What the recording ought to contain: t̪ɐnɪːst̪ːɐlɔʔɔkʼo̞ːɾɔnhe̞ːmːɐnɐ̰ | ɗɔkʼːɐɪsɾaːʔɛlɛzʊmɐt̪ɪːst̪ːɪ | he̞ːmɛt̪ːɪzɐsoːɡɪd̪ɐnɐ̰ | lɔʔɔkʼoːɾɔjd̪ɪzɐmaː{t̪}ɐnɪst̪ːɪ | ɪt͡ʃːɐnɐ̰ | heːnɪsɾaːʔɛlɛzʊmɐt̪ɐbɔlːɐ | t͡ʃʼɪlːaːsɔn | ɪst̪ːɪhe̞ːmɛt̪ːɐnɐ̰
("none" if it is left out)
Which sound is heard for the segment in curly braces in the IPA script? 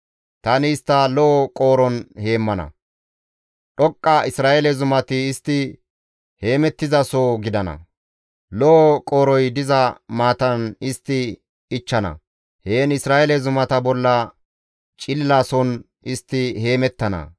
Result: t̪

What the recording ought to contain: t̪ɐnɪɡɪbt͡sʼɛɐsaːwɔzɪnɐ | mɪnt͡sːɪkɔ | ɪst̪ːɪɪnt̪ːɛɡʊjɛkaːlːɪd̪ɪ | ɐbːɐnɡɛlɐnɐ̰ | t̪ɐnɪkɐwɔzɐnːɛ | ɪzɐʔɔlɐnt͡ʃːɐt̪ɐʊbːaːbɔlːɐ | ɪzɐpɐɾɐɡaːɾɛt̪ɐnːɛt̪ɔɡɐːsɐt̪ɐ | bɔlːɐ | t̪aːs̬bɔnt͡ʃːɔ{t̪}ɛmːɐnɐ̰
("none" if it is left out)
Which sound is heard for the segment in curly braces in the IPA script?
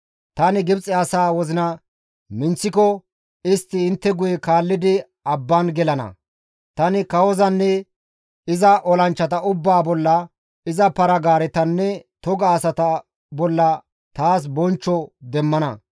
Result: d̪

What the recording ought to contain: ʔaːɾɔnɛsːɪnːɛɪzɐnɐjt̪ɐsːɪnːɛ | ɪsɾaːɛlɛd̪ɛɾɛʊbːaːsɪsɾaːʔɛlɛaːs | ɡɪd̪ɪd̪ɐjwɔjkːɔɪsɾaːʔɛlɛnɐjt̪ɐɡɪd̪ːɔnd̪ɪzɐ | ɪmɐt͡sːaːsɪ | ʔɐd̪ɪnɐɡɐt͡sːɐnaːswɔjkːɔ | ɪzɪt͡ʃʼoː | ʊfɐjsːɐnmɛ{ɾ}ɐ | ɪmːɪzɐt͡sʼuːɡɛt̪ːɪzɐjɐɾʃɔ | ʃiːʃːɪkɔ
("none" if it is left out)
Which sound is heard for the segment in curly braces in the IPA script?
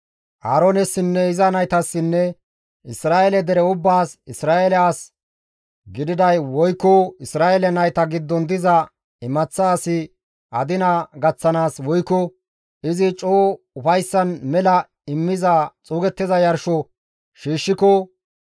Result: l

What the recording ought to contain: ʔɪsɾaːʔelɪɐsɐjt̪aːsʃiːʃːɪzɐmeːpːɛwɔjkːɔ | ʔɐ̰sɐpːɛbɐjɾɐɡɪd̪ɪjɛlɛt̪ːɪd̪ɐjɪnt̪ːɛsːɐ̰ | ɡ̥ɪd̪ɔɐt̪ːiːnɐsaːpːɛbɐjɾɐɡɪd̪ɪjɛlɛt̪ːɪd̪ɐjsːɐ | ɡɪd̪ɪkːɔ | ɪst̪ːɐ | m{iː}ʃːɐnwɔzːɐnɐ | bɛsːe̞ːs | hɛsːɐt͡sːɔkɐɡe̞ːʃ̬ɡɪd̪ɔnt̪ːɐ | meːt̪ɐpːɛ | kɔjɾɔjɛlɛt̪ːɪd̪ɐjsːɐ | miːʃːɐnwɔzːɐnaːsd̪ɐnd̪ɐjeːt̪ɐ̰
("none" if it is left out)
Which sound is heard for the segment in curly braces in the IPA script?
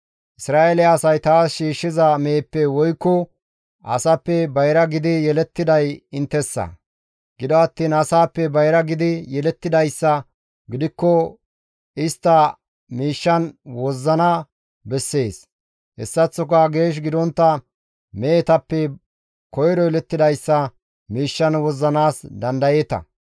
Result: iː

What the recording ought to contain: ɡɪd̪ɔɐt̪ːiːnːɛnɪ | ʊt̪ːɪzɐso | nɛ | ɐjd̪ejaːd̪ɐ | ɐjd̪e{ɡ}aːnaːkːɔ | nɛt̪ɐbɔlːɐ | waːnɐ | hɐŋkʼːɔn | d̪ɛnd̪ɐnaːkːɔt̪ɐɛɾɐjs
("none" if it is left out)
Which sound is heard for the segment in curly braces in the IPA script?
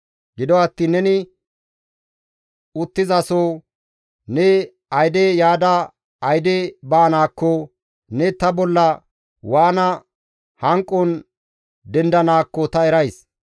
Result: b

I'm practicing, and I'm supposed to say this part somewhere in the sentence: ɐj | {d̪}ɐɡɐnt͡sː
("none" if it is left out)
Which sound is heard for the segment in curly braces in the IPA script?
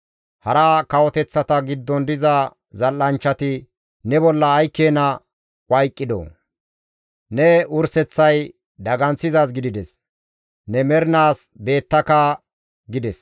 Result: d̪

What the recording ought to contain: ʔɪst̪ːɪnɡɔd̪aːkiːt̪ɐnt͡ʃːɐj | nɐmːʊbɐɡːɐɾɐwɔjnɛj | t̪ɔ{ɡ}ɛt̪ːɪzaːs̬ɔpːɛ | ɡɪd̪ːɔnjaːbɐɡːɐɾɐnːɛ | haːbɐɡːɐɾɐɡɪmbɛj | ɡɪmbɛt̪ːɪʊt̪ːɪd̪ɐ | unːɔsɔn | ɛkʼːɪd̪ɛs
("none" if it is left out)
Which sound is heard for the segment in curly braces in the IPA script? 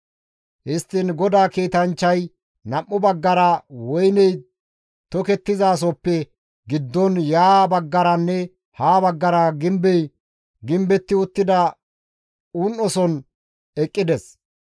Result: k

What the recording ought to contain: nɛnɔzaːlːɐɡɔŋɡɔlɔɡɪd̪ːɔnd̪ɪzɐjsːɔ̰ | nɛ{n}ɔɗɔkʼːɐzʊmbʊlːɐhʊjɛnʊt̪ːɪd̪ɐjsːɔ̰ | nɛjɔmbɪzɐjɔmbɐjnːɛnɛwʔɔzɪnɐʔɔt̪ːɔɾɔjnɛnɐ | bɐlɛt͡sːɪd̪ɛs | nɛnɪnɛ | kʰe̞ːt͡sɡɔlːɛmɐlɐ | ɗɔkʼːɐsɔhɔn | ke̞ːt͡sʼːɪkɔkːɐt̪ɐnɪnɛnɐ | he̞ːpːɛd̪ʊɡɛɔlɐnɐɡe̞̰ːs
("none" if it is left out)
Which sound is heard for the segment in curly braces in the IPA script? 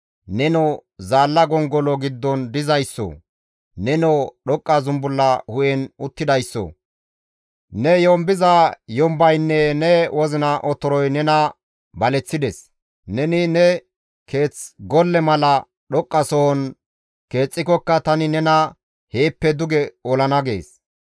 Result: n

